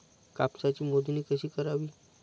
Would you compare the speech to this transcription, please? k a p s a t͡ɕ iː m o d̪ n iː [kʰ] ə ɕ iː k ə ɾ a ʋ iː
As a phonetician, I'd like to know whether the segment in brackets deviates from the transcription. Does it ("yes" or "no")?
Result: yes